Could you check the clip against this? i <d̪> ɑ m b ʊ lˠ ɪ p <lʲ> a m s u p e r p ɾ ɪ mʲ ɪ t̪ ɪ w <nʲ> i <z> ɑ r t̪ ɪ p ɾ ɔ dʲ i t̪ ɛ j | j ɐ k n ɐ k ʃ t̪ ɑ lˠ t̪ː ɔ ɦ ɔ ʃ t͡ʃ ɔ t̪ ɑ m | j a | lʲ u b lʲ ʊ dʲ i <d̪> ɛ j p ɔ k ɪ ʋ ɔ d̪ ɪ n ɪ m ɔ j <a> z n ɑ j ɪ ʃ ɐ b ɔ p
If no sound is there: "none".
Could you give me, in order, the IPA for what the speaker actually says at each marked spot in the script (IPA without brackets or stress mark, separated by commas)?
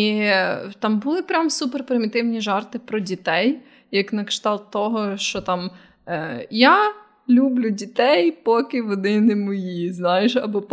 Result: t̪, ɾʲ, nʲ, ʒ, t̪, i